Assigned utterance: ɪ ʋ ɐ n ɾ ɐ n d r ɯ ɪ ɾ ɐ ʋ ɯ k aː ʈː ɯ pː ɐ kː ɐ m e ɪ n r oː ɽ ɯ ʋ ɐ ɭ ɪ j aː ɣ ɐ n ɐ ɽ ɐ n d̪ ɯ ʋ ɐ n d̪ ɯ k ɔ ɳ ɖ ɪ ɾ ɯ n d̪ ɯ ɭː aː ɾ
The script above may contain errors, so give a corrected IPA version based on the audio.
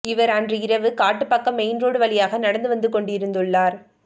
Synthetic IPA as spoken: ɪ ʋ ɐ ɾ ɐ n d r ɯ ɪ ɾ ɐ ʋ ɯ k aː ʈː ɯ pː ɐ kː ɐ m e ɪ n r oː ɽ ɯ ʋ ɐ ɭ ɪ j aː ɣ ɐ n ɐ ɽ ɐ n d̪ ɯ ʋ ɐ n d̪ ɯ k ɔ ɳ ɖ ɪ ɾ ɯ n d̪ ɯ ɭː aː ɾ

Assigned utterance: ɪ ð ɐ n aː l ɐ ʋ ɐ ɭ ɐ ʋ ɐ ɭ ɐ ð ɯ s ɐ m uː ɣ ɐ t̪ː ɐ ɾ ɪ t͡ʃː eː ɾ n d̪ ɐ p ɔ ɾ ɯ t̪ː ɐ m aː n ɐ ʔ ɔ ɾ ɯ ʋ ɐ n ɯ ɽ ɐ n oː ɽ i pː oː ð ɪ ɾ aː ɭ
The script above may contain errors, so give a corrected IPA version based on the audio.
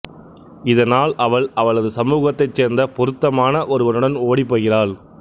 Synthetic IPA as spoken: ɪ ð ɐ n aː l ɐ ʋ ɐ ɭ ɐ ʋ ɐ ɭ ɐ ð ɯ s ɐ m uː ɣ ɐ t̪ː ɐ ɪ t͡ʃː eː ɾ n d̪ ɐ p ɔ ɾ ɯ t̪ː ɐ m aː n ɐ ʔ ɔ ɾ ɯ ʋ ɐ n ɯ ɽ ɐ n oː ɽ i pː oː ɣ ɪ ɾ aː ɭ

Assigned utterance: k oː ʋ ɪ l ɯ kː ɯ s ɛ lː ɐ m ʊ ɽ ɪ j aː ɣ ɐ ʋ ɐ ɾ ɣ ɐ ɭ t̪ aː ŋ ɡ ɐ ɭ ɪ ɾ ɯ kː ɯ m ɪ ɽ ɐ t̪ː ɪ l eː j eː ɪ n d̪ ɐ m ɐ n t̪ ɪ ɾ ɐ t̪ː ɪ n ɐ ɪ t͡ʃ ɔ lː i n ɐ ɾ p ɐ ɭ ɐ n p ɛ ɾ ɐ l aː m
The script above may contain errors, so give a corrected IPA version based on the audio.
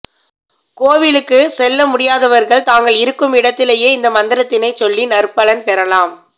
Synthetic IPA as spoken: k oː ʋ ɪ l ɯ kː ɯ s ɛ lː ɐ m ʊ ɽ ɪ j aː ð ɐ ʋ ɐ ɾ ɣ ɐ ɭ t̪ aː ŋ ɡ ɐ ɭ ɪ ɾ ɯ kː ɯ m ɪ ɽ ɐ t̪ː ɪ l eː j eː ɪ n d̪ ɐ m ɐ n d̪ ɪ ɾ ɐ t̪ː ɪ n ɐ ɪ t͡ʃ ɔ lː i n ɐ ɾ p ɐ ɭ ɐ n p ɛ ɾ ɐ l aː m

